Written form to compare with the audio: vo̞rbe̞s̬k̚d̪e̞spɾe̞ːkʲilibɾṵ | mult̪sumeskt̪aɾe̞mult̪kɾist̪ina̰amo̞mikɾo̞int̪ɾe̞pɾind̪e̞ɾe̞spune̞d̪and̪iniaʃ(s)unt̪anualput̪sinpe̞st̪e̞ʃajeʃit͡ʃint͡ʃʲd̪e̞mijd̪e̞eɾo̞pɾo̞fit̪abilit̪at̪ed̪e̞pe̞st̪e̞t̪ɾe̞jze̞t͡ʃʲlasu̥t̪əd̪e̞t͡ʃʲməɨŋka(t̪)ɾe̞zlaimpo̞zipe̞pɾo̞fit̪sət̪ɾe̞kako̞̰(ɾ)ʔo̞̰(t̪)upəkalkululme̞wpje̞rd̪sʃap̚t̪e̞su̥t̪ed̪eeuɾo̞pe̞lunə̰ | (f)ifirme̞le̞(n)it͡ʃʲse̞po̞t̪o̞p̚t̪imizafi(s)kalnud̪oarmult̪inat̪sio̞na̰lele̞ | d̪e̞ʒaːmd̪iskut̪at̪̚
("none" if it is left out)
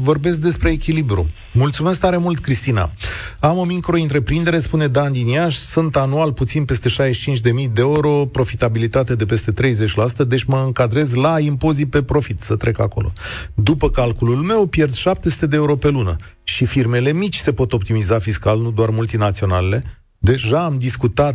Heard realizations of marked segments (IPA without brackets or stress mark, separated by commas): s, d̪, l, d̪, ʃ, m, s